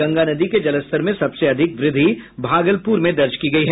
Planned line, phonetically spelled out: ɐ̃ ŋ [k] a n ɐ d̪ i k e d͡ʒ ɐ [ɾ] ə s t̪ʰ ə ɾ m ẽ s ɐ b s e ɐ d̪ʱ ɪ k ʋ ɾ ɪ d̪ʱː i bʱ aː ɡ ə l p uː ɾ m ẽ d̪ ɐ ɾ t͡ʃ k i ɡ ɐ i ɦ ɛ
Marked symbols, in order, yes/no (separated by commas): no, no